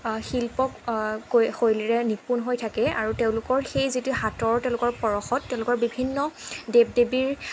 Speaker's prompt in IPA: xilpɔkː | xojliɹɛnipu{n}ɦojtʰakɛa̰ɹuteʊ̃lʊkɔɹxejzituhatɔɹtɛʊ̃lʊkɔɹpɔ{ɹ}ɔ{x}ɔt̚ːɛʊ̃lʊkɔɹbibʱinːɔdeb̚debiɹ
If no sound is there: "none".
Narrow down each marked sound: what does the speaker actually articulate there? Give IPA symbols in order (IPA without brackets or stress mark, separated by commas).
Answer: n, ɹ, x